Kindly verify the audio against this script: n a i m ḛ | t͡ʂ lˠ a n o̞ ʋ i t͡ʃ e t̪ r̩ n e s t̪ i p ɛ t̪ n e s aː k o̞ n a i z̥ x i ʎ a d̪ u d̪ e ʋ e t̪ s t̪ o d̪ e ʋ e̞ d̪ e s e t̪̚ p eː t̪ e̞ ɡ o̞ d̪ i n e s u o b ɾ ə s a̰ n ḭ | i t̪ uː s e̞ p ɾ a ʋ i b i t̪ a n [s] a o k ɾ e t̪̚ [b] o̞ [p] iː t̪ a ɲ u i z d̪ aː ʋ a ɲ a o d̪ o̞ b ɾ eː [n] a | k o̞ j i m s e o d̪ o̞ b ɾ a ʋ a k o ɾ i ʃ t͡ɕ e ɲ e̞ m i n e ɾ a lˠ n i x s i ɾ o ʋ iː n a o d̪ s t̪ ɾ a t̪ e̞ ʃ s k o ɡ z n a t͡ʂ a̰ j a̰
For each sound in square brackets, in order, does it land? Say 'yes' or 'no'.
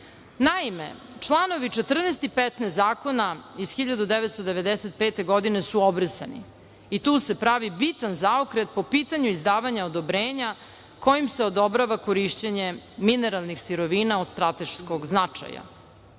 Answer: no, no, yes, no

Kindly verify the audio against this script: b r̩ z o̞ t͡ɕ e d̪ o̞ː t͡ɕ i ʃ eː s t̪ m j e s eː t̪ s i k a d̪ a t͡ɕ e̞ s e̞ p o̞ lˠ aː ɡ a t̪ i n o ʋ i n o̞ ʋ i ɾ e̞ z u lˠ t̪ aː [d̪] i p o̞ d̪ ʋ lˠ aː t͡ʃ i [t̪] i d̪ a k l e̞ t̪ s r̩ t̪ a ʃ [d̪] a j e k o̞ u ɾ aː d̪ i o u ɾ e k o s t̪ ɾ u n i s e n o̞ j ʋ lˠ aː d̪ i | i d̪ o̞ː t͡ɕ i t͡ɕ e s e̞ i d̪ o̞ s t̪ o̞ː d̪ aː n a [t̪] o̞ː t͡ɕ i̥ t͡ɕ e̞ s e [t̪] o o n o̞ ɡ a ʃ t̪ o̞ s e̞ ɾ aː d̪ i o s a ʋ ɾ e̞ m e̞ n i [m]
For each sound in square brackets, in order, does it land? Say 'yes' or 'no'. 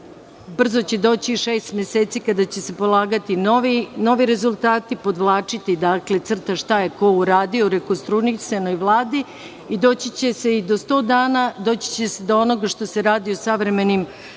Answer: no, yes, no, no, no, yes

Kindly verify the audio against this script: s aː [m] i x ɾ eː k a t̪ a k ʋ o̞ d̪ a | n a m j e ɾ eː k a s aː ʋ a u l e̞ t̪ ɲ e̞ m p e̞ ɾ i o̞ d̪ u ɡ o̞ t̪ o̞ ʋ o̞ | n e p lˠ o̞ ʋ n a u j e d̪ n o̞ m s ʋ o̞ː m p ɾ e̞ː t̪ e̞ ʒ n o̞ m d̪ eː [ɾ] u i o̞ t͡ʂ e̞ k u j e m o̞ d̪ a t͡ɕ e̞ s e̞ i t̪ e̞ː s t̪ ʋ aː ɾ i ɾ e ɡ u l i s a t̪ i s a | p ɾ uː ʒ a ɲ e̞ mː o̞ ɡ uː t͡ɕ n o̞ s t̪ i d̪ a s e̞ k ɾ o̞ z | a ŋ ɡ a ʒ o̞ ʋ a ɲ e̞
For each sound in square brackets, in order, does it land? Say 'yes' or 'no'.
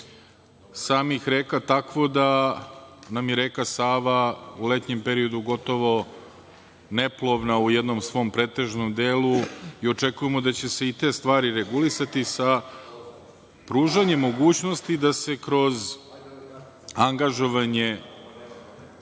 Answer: yes, no

